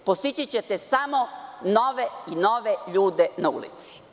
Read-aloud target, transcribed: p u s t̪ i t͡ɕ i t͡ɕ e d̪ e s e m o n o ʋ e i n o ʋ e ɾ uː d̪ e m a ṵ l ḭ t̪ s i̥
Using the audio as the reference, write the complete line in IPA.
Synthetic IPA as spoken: p o s t̪ i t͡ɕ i t͡ɕ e t̪ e s a m o n o ʋ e i n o ʋ e ʎ uː d̪ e n a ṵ l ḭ t̪ s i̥